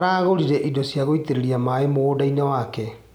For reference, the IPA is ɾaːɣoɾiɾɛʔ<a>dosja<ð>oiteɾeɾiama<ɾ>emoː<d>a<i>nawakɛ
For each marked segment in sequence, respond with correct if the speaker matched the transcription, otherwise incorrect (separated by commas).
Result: incorrect, incorrect, incorrect, correct, correct